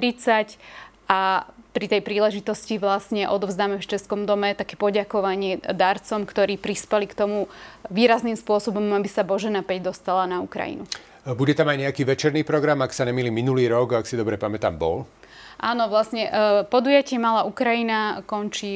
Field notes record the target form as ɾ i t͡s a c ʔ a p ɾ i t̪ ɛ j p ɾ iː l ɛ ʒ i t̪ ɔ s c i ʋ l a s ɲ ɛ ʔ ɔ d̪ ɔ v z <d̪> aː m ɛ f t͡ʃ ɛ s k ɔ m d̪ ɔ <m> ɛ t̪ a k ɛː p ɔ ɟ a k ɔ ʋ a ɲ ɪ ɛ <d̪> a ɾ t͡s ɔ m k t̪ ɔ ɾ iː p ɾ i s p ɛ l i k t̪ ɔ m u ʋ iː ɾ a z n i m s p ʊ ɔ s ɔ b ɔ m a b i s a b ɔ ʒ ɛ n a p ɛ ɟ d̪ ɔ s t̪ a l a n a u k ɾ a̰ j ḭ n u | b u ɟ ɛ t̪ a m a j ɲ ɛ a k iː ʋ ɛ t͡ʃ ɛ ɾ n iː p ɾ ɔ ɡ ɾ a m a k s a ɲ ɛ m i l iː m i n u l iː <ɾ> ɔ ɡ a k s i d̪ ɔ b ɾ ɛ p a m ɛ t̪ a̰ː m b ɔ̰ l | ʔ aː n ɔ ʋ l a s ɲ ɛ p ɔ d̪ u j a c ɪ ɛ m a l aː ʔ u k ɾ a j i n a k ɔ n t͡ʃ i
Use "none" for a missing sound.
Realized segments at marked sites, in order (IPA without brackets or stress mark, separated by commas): d̪, m, d̪, ɾ